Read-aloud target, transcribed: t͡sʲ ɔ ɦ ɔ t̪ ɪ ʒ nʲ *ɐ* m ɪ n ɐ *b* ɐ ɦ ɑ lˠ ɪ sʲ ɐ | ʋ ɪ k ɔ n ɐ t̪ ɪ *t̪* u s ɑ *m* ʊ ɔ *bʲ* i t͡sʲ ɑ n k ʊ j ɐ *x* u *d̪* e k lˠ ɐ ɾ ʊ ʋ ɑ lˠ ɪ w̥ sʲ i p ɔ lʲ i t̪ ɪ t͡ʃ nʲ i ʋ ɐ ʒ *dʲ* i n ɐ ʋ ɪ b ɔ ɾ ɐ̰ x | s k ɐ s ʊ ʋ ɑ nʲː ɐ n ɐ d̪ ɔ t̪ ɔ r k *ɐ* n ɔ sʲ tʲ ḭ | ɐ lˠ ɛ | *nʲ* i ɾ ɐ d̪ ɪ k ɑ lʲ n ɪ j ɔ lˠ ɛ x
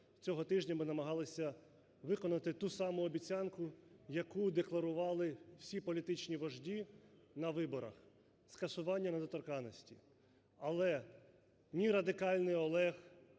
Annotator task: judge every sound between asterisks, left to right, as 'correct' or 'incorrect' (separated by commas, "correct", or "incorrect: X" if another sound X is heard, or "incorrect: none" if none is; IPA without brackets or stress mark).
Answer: correct, incorrect: m, correct, correct, correct, incorrect: k, correct, correct, incorrect: ɑ, correct